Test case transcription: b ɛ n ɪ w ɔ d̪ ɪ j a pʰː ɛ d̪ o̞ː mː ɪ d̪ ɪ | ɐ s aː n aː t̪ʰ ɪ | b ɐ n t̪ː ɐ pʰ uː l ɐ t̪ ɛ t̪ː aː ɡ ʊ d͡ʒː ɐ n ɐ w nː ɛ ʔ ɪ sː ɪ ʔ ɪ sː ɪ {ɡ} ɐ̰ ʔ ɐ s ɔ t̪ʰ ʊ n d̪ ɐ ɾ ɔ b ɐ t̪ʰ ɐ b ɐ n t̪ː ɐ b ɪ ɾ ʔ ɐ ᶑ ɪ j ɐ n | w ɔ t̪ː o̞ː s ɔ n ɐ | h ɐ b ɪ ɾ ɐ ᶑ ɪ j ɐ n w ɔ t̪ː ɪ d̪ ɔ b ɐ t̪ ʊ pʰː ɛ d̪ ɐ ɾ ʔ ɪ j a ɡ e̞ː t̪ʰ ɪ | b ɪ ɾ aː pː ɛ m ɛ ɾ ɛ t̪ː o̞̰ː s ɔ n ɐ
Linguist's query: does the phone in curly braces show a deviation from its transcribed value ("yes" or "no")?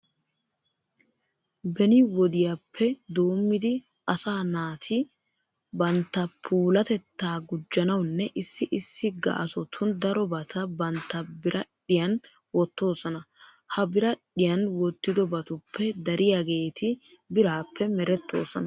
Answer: no